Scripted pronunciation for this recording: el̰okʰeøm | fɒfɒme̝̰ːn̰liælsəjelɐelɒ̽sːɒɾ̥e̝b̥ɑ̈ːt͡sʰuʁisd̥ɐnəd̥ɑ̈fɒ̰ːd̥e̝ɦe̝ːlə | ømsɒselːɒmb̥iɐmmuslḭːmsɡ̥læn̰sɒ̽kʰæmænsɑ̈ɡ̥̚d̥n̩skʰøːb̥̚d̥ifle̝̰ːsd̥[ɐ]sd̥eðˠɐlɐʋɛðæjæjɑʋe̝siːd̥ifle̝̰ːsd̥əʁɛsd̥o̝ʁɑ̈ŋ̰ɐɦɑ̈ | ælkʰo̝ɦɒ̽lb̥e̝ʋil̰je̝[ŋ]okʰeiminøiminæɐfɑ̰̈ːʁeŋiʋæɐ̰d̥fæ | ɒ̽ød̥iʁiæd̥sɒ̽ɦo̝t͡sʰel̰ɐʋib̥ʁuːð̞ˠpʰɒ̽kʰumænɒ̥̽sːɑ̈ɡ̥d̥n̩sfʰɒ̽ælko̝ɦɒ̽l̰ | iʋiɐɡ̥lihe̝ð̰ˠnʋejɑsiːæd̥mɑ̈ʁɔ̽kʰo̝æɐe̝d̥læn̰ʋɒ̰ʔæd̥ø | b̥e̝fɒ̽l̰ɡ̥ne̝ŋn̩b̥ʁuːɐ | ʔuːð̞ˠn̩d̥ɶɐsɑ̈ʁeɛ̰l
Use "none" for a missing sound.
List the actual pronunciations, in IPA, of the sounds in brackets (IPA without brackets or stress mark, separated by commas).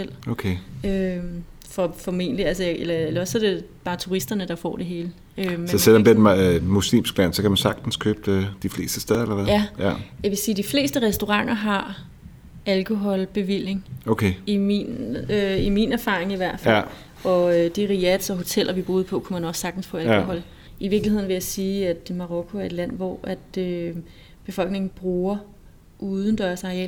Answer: ə, ŋ